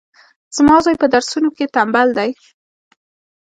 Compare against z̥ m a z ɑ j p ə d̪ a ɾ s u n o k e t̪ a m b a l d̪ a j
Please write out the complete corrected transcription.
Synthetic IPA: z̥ m ɑ z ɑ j p ə d̪ a ɾ s u n o k e t̪ a m b a l d̪ a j